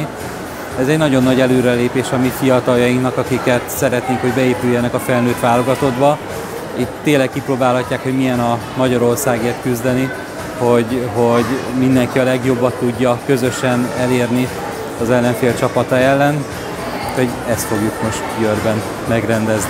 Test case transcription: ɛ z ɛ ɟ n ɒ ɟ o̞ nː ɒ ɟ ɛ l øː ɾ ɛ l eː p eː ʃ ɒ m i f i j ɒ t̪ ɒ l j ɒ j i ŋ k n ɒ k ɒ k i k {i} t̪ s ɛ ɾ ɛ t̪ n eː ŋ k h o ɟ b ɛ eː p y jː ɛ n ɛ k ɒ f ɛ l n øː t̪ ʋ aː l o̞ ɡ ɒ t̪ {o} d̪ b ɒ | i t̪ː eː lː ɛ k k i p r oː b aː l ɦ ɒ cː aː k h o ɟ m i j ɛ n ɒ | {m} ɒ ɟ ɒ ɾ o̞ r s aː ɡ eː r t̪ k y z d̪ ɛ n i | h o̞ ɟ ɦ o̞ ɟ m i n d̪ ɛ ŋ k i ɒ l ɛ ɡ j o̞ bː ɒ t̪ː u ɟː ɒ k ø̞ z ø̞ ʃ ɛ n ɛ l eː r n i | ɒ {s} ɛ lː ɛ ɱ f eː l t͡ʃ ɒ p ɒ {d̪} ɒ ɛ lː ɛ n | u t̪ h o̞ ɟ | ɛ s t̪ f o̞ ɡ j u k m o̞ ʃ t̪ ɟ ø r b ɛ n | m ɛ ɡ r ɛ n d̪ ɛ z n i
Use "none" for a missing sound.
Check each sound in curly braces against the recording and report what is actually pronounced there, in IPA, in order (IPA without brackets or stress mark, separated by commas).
ɛ, o, m, z, t̪